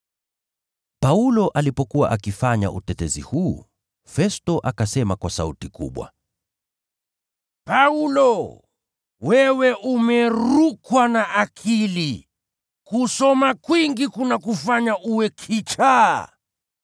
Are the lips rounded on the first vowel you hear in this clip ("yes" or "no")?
no